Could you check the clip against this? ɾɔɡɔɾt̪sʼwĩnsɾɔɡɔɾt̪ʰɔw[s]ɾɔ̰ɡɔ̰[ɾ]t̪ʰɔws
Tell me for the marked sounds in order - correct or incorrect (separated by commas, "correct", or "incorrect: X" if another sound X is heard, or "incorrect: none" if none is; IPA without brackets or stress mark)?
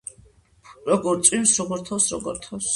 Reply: correct, correct